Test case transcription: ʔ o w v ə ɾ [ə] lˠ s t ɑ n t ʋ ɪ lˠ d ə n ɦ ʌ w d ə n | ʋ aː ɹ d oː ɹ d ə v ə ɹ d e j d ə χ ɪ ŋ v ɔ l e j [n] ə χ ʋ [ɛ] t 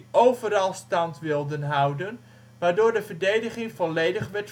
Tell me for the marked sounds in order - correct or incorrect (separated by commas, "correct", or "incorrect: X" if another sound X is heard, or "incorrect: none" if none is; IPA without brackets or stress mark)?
incorrect: ɑ, incorrect: d, correct